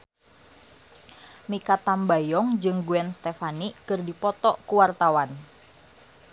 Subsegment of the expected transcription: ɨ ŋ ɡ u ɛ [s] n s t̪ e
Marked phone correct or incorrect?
incorrect